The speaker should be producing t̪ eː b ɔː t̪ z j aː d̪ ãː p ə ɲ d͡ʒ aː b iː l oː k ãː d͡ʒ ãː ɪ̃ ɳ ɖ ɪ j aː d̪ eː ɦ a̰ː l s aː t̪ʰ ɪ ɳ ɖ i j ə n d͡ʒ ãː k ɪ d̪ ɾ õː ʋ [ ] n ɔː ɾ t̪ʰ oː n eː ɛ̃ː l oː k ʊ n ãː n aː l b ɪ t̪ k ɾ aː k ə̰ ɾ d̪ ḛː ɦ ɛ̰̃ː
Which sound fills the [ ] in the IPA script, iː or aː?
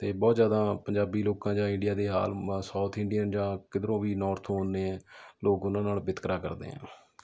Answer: iː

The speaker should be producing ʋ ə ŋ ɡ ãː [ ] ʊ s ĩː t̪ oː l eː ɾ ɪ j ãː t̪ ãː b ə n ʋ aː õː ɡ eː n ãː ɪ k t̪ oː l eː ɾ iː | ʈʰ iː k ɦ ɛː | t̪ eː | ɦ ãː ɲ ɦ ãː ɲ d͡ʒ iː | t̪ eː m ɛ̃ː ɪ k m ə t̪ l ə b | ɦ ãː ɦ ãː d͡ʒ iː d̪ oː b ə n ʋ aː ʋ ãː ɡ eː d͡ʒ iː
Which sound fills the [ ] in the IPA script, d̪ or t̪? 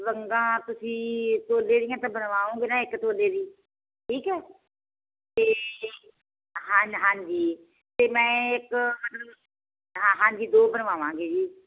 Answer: t̪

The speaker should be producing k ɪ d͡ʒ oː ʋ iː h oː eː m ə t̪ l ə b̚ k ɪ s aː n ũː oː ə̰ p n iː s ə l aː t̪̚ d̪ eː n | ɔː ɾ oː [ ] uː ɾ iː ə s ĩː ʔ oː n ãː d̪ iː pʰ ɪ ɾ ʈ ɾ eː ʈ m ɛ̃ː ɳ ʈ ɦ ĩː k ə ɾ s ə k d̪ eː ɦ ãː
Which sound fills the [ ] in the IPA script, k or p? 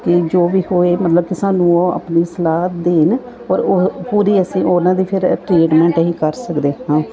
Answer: p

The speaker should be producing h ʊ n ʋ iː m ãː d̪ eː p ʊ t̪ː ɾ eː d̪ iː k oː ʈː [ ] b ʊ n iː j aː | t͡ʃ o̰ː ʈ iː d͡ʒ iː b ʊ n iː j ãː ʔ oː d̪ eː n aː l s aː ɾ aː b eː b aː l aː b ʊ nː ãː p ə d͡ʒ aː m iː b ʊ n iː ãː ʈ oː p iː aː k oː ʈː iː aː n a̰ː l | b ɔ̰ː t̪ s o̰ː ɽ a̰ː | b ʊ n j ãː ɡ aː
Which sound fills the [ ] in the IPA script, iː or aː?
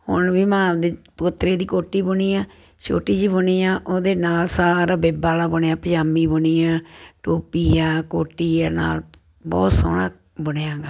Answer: iː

